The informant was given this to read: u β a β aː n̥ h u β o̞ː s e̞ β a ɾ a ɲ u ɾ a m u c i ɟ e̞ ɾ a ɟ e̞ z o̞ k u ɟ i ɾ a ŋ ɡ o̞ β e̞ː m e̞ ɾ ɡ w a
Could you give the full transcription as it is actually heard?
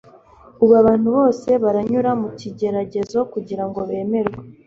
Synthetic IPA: u β a β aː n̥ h u β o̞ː s e̞ β a ɾ a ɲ u ɾ a m u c i ɟ e̞ ɾ a ɟ e̞ z o̞ k u ɟ i ɾ a ŋ ɡ o̞ β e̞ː m e̞ ɾ ɡ w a

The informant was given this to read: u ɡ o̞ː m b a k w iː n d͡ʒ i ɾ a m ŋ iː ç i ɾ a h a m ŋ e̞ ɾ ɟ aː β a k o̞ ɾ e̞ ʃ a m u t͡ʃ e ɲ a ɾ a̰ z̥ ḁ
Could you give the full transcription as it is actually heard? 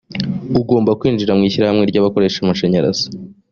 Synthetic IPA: u ɡ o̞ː m b a k w iː n d͡ʒ i ɾ a m ŋ iː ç i ɾ a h a m ŋ e̞ ɾ ɟ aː β a k o̞ ɾ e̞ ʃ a m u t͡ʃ e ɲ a ɾ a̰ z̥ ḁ

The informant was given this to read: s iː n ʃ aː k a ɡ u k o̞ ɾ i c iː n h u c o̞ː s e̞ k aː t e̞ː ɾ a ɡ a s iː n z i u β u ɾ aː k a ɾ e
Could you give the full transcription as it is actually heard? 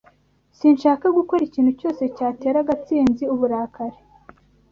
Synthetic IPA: s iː n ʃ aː k a ɡ u k o̞ ɾ i c iː n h u c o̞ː s e̞ c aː t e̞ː ɾ a ɡ a t͡s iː n z i u β u ɾ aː k a ɾ e

